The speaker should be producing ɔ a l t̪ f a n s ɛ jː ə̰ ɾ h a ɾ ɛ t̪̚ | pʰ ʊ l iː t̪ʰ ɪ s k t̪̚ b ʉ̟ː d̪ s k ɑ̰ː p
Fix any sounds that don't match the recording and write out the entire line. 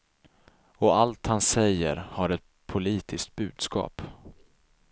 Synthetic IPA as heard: ɔ a l t̪ h a n s ɛ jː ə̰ ɾ h a ɾ ɛ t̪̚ | pʰ ʊ l iː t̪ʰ ɪ s k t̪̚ b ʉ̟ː d̪ s k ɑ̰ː p